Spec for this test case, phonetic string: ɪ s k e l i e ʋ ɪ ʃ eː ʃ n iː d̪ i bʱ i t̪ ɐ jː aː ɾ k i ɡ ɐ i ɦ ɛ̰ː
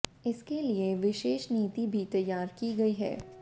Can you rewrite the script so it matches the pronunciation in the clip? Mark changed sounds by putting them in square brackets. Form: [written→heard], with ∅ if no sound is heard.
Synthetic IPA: ɪ s k e l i e ʋ ɪ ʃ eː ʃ n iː [d̪→t̪] i bʱ i t̪ ɐ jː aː ɾ k i ɡ ɐ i ɦ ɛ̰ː